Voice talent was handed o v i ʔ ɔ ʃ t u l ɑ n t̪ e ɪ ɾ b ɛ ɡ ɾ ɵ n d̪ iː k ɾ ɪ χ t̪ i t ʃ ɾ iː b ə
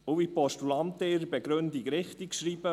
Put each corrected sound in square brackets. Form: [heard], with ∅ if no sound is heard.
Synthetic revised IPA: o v i [p] ɔ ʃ t u l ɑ n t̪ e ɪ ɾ b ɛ ɡ ɾ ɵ n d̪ [i] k ɾ ɪ χ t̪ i [k] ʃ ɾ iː b ə